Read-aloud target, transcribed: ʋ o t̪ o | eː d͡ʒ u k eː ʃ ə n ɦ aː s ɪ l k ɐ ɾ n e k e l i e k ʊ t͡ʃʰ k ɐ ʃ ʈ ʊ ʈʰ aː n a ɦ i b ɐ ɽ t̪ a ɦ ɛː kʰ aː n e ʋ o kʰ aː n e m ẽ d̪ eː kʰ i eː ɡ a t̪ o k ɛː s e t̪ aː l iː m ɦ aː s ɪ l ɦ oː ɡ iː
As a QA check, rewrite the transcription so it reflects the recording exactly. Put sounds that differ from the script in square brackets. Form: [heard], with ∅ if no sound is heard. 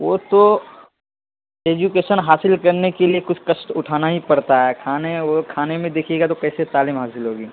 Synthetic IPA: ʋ o t̪ o | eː d͡ʒ u k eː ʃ ə n ɦ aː s ɪ l k ɐ ɾ n e k e l i e k ʊ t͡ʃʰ k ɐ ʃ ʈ ʊ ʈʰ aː n a ɦ i [p] ɐ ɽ t̪ a ɦ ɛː kʰ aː n e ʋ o kʰ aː n e m ẽ d̪ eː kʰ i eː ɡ a t̪ o k ɛː s e t̪ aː l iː m ɦ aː s ɪ l ɦ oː ɡ iː